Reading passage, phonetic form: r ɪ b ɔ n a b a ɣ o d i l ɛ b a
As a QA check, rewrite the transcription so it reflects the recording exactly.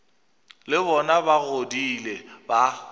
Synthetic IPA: l ɪ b ɔ n a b a ɣ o d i l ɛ b a